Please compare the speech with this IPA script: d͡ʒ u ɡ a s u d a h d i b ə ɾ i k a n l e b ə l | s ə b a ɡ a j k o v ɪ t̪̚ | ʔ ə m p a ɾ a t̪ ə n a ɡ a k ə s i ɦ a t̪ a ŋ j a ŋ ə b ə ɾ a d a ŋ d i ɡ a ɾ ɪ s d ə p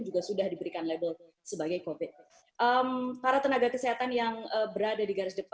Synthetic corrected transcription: d͡ʒ u ɡ a s u d a h d i b ə ɾ i k a n l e b ə l | s ə b a ɡ a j k o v ɪ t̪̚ | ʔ ə m p a ɾ a t̪ ə n a ɡ a k ə s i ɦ a t̪ a n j a ŋ ə b ə ɾ a d a d i ɡ a ɾ ɪ s d ə p